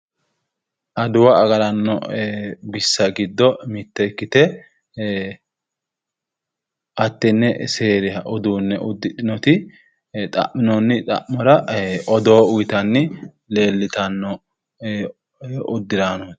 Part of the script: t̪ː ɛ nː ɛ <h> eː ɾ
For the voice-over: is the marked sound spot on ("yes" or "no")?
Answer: no